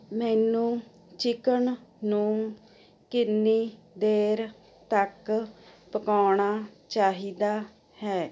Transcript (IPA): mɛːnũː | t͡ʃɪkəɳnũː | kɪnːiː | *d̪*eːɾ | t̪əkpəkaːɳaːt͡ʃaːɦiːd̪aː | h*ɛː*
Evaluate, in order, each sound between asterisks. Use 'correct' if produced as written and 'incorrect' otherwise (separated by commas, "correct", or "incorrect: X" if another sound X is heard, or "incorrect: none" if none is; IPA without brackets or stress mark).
correct, correct